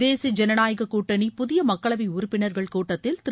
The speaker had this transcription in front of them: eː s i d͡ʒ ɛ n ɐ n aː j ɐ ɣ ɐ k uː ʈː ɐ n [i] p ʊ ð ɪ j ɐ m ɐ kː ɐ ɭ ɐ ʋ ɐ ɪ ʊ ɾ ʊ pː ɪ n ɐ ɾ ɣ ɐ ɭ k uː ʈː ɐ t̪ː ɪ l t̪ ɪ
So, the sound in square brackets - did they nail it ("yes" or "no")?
yes